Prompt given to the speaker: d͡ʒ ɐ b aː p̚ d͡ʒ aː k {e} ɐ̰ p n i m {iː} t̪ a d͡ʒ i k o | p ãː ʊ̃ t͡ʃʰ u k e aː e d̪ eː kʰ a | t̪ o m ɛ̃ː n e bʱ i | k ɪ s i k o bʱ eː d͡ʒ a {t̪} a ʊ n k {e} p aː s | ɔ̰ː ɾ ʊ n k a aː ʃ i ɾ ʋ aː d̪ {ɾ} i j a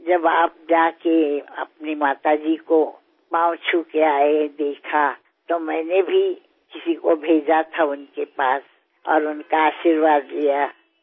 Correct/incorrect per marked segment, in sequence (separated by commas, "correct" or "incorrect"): correct, incorrect, incorrect, correct, incorrect